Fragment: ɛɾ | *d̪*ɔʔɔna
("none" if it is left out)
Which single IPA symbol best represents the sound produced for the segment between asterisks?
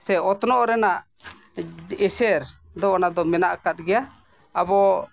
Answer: d̪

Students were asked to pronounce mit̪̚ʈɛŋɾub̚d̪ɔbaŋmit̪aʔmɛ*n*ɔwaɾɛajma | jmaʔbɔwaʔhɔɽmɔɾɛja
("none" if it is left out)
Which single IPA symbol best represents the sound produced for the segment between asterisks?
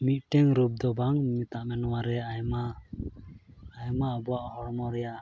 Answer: n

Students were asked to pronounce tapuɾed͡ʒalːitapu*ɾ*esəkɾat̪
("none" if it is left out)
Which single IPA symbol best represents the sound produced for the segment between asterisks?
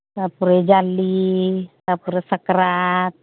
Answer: ɾ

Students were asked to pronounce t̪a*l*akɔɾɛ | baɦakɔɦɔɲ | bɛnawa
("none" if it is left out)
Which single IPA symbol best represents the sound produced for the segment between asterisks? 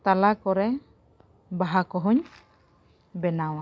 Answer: l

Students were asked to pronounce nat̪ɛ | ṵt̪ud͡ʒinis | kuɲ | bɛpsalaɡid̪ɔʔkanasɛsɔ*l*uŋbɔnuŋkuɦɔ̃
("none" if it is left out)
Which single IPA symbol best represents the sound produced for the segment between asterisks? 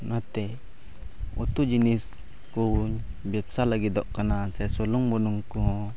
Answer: l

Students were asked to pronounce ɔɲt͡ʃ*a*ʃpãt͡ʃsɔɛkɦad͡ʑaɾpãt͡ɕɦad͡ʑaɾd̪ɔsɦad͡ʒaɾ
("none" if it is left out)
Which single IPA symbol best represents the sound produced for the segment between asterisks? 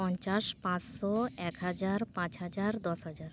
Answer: a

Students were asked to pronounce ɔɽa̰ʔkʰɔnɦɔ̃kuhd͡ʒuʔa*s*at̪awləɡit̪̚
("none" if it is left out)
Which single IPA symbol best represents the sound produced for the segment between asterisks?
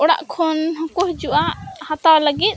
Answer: h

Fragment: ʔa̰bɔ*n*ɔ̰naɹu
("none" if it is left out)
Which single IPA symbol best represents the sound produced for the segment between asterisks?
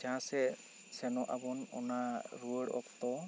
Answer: n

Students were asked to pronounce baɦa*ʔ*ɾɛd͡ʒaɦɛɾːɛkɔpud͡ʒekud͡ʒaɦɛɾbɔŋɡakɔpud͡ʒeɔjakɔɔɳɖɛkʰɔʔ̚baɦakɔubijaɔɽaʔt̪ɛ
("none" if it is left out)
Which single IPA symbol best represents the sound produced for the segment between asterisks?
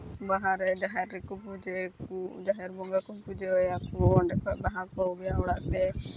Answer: none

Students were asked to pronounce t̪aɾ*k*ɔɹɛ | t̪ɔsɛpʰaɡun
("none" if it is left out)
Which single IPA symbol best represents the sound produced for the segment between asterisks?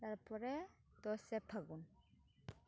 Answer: p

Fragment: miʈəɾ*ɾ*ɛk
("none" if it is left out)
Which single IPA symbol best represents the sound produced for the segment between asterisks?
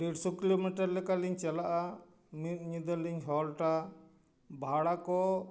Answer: l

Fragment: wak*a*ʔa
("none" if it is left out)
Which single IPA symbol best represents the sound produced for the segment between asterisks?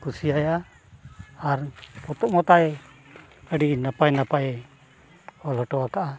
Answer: a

